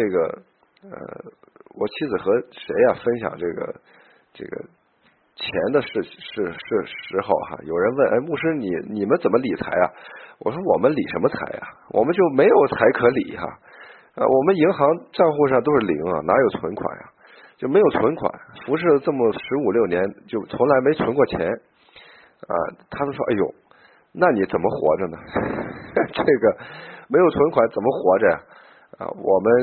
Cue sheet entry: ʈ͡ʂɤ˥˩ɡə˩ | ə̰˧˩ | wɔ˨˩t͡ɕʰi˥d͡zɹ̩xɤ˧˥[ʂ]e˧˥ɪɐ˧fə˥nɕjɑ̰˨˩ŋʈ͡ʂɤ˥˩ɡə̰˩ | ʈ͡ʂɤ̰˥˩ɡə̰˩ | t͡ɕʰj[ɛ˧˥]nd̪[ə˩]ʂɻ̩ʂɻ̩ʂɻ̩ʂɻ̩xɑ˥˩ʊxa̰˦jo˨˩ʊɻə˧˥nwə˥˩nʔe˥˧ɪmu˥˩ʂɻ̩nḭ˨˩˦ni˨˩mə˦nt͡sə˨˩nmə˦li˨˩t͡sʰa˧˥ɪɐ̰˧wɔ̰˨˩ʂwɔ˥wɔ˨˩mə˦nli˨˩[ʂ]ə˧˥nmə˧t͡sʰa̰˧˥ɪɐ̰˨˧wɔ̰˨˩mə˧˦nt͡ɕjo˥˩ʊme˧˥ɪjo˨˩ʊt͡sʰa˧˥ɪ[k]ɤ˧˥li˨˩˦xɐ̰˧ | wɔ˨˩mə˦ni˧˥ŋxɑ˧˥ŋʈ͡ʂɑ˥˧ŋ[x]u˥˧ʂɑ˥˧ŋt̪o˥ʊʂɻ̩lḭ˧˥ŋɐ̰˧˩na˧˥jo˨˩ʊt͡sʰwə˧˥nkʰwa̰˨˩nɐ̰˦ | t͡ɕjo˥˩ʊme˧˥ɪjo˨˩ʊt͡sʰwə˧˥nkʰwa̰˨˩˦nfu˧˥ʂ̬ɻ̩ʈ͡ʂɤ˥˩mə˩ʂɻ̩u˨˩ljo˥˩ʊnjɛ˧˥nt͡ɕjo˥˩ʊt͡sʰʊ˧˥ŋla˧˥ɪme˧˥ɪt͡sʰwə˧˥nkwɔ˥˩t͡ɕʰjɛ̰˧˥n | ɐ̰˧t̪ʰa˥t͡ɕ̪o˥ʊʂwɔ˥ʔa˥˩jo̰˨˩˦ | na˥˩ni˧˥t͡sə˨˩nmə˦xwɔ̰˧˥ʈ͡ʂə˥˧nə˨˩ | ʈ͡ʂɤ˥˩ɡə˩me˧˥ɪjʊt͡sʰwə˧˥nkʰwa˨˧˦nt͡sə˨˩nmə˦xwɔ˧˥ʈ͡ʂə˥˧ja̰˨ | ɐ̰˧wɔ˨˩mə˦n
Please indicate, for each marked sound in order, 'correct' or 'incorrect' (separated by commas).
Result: correct, correct, incorrect, correct, incorrect, correct